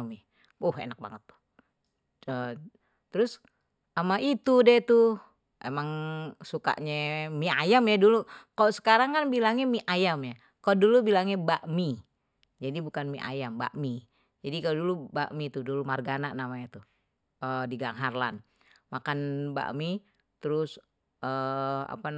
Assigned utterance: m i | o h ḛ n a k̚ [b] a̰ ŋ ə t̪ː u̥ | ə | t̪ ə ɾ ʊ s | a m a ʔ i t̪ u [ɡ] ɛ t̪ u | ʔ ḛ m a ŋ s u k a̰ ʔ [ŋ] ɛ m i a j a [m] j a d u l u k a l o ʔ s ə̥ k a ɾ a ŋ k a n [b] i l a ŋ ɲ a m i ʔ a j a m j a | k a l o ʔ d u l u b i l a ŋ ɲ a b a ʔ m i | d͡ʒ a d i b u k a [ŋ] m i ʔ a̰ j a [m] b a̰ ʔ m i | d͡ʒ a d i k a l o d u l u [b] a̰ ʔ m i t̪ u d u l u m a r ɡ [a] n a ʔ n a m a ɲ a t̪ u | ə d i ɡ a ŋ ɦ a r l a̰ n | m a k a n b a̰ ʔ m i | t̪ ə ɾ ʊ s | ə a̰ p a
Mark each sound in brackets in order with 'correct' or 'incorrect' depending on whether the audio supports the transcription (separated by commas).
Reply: correct, incorrect, incorrect, correct, correct, incorrect, correct, correct, correct